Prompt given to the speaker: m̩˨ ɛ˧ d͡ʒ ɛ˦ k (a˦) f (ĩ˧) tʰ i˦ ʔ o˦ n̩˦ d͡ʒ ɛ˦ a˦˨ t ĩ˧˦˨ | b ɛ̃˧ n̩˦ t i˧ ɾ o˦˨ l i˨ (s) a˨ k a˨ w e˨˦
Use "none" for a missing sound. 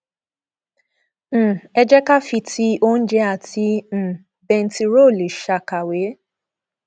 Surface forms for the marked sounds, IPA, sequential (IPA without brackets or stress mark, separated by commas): a˦, i˧, ʃ